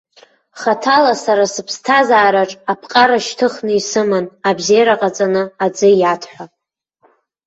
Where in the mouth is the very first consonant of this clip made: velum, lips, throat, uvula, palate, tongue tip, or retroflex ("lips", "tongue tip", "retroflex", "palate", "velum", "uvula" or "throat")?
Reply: uvula